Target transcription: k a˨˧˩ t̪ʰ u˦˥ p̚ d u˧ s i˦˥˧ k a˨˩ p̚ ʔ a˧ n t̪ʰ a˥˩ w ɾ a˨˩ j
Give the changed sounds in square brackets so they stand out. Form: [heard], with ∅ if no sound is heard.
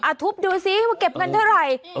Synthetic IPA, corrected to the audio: [ʔ] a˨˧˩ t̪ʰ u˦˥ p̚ d [uː˧] s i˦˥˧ k [e˨˩] p̚ [k] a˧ n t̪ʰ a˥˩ w ɾ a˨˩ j